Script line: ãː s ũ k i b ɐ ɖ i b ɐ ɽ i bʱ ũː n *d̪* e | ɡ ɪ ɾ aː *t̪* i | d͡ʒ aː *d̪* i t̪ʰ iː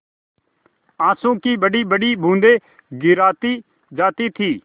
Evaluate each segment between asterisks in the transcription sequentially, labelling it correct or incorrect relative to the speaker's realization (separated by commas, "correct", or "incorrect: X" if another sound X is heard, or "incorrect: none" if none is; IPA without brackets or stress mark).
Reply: correct, correct, incorrect: t̪